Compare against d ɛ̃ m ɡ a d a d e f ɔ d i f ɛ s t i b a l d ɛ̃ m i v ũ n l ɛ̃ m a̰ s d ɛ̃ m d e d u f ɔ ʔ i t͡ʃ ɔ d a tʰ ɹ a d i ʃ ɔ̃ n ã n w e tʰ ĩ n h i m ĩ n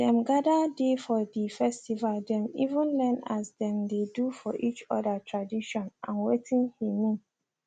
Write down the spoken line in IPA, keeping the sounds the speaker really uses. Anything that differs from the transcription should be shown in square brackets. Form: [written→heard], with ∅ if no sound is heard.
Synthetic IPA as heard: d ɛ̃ m ɡ a d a d e f ɔ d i f ɛ s t i [b→v] a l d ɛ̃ m i v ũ n l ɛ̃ [m→n] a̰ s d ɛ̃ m d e d u f ɔ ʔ i t͡ʃ ɔ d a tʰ ɹ a d i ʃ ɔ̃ n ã n w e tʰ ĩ n h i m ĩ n

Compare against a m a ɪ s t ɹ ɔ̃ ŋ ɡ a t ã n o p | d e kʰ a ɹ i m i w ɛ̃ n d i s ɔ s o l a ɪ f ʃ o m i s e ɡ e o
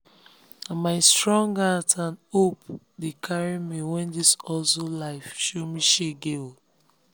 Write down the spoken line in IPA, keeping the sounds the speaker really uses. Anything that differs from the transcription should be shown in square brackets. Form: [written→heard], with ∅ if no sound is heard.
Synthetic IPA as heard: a m a ɪ s t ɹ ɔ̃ ŋ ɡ a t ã n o p | d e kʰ a ɹ i m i w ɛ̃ n d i s ɔ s o l a ɪ f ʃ o m i [s→ʃ] e ɡ e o

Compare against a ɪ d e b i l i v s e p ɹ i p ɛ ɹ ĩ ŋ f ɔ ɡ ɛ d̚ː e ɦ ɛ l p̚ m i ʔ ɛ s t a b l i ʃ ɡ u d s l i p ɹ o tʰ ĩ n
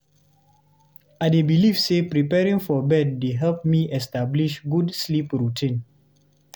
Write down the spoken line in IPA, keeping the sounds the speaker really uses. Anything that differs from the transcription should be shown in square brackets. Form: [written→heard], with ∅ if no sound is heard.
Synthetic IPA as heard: a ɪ d e b i l i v s e p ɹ i p ɛ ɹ ĩ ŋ f ɔ [ɡ→b] ɛ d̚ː e ɦ ɛ l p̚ m i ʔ ɛ s t a b l i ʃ ɡ u d s l i p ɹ [o→u] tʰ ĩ n

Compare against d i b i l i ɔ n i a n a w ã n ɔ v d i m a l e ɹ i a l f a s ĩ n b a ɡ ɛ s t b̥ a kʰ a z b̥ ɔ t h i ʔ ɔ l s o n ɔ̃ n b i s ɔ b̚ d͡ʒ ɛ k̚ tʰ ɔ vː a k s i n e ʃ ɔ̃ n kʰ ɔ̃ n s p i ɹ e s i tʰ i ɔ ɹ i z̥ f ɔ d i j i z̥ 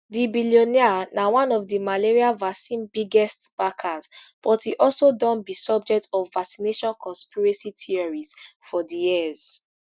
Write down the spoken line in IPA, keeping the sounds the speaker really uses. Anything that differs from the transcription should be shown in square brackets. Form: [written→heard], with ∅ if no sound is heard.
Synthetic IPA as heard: d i b i l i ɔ n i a n a w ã n ɔ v d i m a l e ɹ i a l [f→v] a s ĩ n b [a→i] ɡ ɛ s t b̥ a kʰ a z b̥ ɔ t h i ʔ ɔ l s o [n→d] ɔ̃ n b i s ɔ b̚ d͡ʒ ɛ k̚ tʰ ɔ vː a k s i n e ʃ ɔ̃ n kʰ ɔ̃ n s p i ɹ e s i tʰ i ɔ ɹ i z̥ f ɔ d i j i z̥

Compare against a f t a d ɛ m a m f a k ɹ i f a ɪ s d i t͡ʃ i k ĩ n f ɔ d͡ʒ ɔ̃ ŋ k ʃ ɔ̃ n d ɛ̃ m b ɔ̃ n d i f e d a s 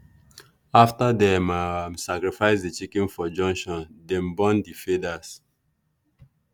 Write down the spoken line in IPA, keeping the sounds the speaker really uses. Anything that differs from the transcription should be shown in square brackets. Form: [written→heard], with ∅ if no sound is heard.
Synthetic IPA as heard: a f t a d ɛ m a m [f→s] a k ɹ i f a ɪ s d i t͡ʃ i k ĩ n f ɔ d͡ʒ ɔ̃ ŋ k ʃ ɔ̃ n d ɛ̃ m b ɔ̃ n d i f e d a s

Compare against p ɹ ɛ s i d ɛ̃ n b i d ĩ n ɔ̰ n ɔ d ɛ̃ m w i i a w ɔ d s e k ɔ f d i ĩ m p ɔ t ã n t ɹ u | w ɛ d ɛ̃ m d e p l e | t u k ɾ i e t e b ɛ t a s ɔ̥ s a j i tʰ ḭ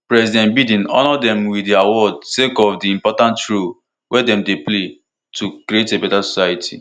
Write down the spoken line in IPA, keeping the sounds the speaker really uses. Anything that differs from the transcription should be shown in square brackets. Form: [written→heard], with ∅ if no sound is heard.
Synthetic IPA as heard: p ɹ ɛ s i d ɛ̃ n b i d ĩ n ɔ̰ n ɔ d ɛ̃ m w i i a w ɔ d s e k ɔ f d i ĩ m p ɔ t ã n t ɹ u | w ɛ d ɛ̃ m d e p l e | t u k ɾ i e t e b ɛ t a s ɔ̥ s a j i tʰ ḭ

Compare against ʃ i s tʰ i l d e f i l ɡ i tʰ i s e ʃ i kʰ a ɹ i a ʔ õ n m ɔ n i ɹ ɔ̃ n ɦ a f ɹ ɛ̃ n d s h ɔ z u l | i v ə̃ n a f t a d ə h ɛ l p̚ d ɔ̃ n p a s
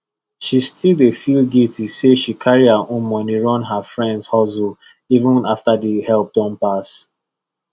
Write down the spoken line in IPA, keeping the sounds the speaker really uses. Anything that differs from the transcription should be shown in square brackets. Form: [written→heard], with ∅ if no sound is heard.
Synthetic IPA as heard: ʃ i s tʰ i l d e f i l ɡ i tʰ i s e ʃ i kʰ a ɹ i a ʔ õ n m ɔ n i ɹ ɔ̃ n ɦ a f ɹ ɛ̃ n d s h ɔ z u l | i v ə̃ n a f t a d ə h ɛ l p̚ d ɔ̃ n p a s

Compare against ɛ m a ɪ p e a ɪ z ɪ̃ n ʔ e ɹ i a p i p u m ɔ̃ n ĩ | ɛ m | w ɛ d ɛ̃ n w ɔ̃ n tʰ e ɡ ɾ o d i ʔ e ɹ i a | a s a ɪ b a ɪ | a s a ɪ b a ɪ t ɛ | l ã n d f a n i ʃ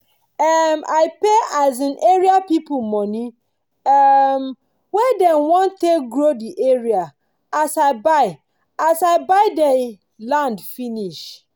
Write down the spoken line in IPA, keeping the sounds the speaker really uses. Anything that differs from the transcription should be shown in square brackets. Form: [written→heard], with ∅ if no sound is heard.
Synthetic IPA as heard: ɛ m a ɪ p e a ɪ z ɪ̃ n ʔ e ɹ i a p i p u m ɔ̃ n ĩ | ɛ m | w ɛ d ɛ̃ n w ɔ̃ n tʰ e ɡ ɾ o d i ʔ e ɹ i a | a s a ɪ b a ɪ | a s a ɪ b a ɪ [t→d] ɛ | l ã n d f [a→i] n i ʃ

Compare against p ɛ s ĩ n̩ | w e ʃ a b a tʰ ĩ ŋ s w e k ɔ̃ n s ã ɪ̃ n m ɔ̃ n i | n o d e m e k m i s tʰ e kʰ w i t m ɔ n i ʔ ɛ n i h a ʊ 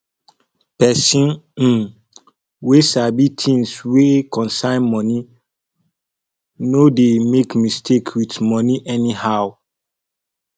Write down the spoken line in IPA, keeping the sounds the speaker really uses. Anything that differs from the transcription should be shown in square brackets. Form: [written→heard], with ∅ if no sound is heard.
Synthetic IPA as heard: p ɛ s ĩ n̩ | w e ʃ a b [a→i] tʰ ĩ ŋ s w e k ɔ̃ n s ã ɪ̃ n m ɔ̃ n i | n o d e m e k m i s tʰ e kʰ w i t m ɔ n i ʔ ɛ n i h a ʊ

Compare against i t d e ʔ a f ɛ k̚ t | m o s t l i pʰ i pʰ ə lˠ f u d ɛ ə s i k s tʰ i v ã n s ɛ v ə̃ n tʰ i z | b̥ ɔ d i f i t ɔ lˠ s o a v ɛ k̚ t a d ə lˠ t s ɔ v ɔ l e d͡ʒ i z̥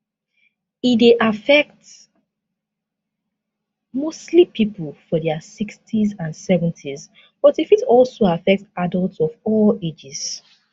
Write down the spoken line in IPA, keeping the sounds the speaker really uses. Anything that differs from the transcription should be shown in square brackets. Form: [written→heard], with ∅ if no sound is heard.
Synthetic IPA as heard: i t d e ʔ a f ɛ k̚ t | m o s t l i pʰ i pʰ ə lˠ f [u→ɔ] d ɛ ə s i k s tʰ i [v→z] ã n s ɛ v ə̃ n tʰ i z | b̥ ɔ [d→t] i f i t ɔ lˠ s o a [v→f] ɛ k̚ t a d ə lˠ t s ɔ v ɔ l e d͡ʒ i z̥

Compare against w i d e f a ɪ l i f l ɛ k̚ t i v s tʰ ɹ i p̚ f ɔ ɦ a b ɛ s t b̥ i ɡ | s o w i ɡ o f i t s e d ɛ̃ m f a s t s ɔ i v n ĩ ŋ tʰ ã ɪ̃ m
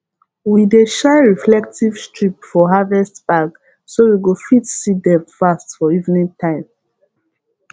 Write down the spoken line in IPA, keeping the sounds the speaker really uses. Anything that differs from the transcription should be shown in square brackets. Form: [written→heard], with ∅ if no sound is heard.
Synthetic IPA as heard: w i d e [f→ʃ] a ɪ [l→ɹ] i f l ɛ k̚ t i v s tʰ ɹ i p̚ f ɔ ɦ a [b→v] ɛ s t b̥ [i→a] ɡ | s o w i ɡ o f i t s [e→i] d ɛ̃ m f a s t [s→f] ɔ i v n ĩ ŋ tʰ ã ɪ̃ m

